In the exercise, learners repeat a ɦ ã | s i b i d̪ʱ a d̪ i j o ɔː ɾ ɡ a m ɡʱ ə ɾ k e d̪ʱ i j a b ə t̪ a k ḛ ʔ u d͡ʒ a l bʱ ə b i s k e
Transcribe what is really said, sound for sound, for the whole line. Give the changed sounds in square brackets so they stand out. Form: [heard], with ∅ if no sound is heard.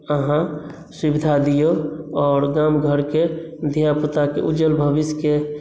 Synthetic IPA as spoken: [ə] ɦ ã | s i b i d̪ʱ a d̪ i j o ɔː ɾ ɡ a m ɡʱ ə ɾ k e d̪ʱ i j a [p] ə t̪ a k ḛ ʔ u d͡ʒ [ə] l bʱ ə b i s k e

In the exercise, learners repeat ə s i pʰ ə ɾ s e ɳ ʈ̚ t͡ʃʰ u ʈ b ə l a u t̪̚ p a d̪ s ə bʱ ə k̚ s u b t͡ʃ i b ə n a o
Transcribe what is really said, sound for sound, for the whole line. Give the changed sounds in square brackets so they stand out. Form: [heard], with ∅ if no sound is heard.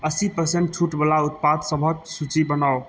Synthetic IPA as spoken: ə s i [p] ə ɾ s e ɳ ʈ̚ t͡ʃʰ u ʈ b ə l a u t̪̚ p a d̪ s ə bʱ ə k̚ s u [∅] t͡ʃ i b ə n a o

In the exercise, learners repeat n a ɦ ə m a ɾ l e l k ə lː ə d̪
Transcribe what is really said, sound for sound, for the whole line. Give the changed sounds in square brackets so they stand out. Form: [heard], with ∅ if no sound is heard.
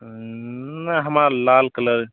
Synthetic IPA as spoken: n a ɦ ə m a ɾ l [a] l k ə [l] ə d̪

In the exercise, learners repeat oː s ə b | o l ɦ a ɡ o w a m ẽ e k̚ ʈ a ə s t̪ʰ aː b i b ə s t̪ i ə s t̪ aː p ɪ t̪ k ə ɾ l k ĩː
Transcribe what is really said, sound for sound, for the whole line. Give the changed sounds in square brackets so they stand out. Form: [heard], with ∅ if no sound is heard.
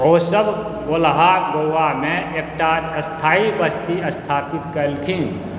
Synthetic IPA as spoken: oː s ə b | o l ɦ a ɡ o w a m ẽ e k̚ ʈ a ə s t̪ʰ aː [∅] i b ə s t̪ i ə s [t̪ʰ] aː p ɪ t̪ k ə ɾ l [kʰ] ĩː

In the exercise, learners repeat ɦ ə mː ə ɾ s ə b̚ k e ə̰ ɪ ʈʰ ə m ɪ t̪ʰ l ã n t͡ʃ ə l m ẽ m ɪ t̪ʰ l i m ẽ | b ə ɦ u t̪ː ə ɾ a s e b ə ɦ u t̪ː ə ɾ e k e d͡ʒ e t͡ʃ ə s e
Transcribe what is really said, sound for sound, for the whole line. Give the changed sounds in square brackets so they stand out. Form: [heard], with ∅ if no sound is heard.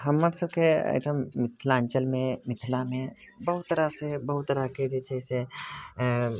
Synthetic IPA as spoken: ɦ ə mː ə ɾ s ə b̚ k e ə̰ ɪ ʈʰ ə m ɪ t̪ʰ l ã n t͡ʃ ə l m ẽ m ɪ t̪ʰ l [a] m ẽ | b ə ɦ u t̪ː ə ɾ a s e b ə ɦ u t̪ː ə ɾ [a] k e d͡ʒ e t͡ʃ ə s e

